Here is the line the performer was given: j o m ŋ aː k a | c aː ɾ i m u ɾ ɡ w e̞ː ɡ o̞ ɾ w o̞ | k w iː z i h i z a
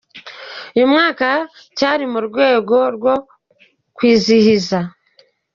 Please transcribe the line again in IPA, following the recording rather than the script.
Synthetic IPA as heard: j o m ŋ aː k a | c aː ɾ i m u ɾ ɡ w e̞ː ɡ o̞ ɾ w o̞ | k w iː z i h i z a